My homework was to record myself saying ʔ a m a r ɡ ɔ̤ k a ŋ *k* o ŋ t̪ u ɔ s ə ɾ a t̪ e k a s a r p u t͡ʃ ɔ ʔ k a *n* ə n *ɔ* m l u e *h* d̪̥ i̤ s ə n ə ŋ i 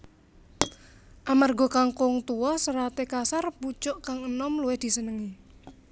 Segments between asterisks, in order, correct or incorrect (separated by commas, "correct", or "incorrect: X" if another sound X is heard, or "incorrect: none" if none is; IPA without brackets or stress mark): correct, incorrect: ŋ, correct, correct